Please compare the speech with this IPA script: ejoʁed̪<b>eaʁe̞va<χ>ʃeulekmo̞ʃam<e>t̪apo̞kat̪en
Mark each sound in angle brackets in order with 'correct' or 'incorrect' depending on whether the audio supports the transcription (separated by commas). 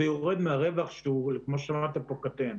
incorrect, correct, incorrect